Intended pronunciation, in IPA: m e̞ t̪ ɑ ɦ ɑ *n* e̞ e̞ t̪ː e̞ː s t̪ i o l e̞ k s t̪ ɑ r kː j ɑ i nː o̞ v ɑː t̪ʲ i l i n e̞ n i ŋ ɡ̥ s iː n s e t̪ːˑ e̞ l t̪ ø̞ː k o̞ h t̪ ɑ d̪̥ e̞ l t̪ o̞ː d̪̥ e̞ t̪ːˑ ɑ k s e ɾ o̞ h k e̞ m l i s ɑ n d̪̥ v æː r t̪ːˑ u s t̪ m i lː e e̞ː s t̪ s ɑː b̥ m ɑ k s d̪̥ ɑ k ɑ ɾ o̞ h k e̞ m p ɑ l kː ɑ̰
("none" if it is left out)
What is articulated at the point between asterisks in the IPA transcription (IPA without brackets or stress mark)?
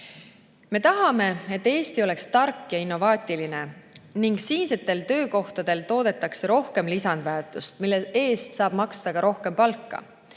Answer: m